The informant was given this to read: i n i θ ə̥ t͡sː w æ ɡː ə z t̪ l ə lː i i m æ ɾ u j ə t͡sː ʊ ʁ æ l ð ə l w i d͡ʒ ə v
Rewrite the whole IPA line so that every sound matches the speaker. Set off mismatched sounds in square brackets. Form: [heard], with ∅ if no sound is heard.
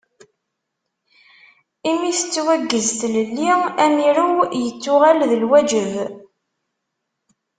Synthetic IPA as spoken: i [m] i θ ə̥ t͡sː w æ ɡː ə z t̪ l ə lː i [æ] m [i] ɾ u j ə t͡sː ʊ ʁ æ l ð ə l w [æ] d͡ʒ ə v